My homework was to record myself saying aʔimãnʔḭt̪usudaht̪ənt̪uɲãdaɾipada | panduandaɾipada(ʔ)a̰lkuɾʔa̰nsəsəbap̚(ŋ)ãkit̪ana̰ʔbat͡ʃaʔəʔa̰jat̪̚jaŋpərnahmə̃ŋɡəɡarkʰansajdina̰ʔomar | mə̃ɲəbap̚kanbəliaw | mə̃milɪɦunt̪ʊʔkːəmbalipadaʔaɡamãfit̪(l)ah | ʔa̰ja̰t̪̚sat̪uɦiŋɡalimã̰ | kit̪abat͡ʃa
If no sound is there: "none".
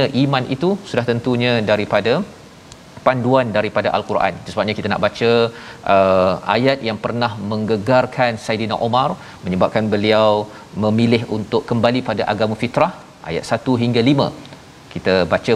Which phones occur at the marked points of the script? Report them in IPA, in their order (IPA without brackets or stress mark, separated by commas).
ʔ, ɲ, ɾ